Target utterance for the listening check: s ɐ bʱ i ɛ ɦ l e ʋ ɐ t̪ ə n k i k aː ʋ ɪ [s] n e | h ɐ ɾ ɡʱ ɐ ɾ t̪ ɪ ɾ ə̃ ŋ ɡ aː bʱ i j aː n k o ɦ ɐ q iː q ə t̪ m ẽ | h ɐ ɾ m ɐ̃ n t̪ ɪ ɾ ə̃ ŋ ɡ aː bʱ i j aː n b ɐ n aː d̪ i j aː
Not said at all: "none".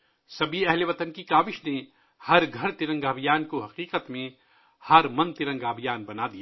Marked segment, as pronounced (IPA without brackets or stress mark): ʃ